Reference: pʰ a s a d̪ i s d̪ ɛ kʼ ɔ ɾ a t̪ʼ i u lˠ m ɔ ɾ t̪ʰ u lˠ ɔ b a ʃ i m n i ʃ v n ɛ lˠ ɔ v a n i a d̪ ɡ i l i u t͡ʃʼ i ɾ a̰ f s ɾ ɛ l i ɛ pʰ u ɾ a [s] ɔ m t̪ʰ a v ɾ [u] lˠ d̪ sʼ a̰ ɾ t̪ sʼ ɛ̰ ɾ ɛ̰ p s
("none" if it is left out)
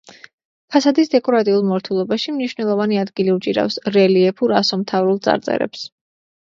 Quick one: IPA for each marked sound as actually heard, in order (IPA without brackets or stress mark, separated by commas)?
s, u